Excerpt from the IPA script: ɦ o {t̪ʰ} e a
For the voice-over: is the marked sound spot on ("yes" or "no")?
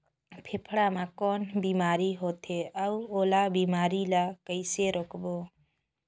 yes